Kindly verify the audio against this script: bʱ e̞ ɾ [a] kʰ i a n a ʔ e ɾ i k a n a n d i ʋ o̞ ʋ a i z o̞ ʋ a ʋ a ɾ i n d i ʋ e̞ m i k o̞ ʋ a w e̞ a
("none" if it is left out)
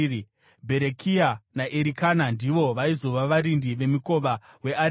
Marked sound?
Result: e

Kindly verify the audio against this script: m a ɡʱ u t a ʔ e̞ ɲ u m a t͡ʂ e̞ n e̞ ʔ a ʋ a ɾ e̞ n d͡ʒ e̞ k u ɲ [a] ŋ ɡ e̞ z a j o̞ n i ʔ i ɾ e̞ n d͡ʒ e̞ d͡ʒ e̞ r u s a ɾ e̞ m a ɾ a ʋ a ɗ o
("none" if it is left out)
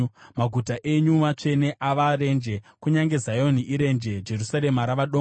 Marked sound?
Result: a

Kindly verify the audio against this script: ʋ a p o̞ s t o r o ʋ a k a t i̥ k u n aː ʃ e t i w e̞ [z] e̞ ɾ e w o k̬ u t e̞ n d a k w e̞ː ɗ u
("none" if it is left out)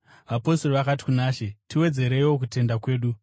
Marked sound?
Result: d͡z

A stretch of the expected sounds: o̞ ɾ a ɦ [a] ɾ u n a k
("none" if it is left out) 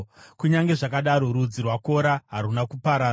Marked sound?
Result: a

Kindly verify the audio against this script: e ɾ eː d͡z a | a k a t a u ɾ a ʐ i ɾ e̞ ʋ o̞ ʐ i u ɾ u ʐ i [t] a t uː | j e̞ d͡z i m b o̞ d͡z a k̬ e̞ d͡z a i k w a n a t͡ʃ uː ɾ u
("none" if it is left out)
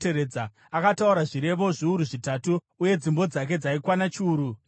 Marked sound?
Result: t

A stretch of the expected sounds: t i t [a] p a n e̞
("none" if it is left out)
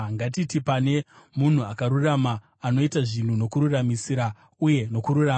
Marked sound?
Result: i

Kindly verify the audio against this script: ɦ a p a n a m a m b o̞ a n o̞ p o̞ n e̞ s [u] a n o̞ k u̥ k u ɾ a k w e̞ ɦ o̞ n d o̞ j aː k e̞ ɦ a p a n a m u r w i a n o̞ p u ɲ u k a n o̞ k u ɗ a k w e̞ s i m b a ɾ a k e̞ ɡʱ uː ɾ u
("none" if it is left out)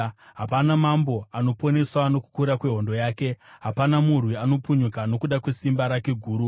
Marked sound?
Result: w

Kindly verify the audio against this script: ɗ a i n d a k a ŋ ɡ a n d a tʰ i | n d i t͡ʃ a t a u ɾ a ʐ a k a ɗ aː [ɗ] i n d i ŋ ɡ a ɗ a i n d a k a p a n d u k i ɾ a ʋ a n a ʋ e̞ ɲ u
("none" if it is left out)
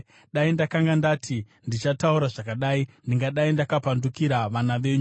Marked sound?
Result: none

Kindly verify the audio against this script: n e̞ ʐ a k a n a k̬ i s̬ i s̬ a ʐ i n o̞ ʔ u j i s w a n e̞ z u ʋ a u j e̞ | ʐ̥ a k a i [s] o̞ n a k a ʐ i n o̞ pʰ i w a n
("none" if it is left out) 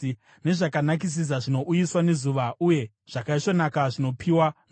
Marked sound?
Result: ʂ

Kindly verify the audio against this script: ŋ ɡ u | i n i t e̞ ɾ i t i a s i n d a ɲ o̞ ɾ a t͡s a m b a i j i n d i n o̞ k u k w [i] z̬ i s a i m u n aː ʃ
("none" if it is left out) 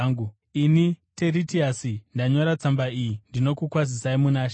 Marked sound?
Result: a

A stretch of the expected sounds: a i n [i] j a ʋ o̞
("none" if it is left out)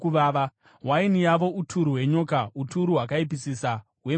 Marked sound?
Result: i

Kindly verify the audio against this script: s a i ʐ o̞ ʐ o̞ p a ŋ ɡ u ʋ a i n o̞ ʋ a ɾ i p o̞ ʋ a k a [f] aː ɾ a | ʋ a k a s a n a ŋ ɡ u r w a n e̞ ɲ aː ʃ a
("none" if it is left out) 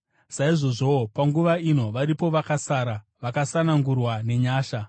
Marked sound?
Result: s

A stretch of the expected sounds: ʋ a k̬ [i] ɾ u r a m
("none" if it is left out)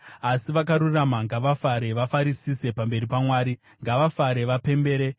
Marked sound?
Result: a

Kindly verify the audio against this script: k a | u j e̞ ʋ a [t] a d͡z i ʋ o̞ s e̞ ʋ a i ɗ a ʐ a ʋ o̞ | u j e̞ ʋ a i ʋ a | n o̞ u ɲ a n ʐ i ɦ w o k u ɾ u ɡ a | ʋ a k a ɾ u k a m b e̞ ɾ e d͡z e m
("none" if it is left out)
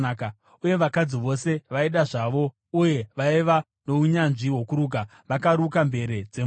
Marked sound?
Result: k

